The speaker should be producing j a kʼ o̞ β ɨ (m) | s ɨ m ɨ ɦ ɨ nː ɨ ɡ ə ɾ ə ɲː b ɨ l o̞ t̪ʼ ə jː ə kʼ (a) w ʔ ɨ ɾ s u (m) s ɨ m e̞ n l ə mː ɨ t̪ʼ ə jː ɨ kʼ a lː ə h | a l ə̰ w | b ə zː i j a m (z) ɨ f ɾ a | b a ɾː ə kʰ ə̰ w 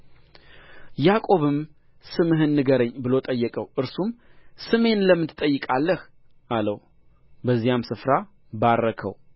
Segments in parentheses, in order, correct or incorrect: correct, incorrect, correct, incorrect

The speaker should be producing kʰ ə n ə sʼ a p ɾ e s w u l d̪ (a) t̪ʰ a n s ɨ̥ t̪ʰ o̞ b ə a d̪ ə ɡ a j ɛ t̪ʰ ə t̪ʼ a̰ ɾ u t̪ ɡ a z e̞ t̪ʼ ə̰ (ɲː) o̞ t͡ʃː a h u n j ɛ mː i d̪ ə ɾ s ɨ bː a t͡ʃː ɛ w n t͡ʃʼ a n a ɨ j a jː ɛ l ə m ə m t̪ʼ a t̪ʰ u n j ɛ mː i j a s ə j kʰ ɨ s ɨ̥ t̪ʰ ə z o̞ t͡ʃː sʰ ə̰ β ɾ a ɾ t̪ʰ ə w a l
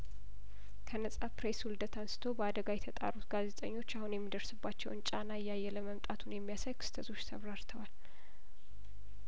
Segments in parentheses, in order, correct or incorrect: incorrect, correct

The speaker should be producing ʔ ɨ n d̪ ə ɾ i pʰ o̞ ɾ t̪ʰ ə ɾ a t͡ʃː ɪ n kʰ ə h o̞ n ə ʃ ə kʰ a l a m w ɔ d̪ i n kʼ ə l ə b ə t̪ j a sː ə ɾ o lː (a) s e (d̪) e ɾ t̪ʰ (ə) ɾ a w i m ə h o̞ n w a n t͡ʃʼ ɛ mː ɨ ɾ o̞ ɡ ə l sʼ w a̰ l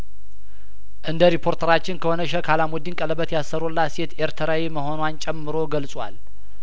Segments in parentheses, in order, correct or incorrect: correct, incorrect, correct

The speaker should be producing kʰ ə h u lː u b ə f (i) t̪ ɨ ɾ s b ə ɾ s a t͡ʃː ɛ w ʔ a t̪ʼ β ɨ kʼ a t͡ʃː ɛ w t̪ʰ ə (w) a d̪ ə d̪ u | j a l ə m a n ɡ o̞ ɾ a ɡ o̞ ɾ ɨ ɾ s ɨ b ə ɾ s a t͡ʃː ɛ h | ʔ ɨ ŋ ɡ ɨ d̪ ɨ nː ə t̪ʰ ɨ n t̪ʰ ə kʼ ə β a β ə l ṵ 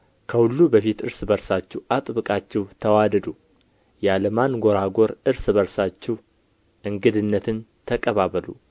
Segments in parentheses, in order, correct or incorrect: correct, correct

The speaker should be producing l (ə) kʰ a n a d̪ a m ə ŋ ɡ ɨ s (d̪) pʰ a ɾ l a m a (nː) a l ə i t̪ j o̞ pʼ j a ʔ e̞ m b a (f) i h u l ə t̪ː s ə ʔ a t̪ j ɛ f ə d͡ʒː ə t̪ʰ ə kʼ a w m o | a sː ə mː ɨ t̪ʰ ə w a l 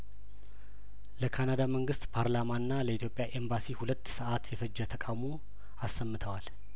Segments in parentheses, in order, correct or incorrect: correct, incorrect, correct, incorrect

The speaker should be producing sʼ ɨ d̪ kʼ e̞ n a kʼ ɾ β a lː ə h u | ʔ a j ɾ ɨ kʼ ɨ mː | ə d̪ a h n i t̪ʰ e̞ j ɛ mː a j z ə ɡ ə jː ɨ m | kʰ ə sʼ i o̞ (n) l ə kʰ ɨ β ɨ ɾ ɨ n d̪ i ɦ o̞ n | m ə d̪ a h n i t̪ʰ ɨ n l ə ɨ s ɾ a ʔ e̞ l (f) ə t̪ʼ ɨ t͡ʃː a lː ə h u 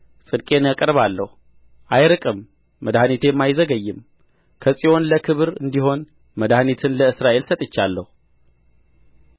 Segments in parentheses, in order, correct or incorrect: correct, incorrect

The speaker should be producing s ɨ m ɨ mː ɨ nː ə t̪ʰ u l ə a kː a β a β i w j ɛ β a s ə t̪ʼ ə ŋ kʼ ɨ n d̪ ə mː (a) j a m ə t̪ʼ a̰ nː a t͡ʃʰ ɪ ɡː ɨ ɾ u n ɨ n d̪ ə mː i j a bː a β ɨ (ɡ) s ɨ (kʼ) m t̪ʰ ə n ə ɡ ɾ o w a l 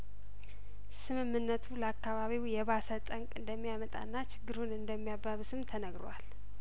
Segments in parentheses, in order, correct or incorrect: incorrect, incorrect, incorrect

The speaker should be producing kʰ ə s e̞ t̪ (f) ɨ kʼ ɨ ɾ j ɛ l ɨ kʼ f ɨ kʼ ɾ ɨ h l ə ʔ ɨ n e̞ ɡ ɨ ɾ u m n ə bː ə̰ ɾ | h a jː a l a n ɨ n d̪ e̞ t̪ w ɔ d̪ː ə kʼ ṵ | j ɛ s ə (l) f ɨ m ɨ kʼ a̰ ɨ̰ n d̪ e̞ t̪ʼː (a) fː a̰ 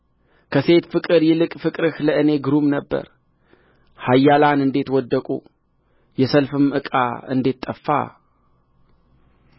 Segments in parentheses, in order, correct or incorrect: correct, correct, incorrect

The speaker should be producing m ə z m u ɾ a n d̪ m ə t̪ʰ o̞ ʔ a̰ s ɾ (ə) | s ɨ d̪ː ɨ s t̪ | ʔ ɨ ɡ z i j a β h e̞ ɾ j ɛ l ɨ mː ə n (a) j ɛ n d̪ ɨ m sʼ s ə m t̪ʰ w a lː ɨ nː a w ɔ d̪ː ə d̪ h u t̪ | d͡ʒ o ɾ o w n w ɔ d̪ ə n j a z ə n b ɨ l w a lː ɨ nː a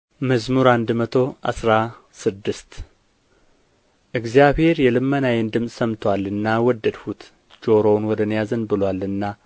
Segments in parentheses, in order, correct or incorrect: incorrect, correct

